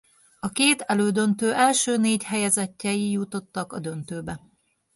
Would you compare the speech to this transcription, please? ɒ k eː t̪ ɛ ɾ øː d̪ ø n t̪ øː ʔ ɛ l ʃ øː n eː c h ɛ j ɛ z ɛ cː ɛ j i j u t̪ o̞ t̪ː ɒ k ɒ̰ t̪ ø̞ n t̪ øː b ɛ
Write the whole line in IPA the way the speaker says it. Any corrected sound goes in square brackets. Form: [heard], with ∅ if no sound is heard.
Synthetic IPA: ɒ k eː t̪ ɛ [l] øː d̪ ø n t̪ øː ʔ ɛ l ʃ øː n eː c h ɛ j ɛ z ɛ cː ɛ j i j u t̪ o̞ t̪ː ɒ k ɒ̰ [d̪] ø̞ n t̪ øː b ɛ